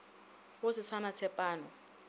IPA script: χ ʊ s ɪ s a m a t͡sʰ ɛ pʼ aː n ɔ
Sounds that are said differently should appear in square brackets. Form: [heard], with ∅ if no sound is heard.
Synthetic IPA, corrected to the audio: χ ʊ s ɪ s a [n] a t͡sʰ ɛ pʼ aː n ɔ